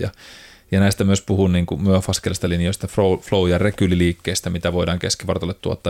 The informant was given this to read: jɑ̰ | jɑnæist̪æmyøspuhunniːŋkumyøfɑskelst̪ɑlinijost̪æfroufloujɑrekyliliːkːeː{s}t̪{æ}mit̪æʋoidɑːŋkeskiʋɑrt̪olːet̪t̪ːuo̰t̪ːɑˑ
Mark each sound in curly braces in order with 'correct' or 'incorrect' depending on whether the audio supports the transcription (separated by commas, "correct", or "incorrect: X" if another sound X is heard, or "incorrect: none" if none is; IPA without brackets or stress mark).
correct, correct